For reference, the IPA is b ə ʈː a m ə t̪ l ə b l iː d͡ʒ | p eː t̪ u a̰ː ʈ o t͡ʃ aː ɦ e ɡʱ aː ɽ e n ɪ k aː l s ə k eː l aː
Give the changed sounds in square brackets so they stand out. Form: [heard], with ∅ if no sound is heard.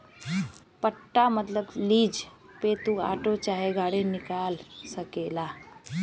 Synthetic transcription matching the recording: [p] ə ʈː a m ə t̪ l ə b l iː d͡ʒ | p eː t̪ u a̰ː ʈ o t͡ʃ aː ɦ e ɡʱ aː ɽ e n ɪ k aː l s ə k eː l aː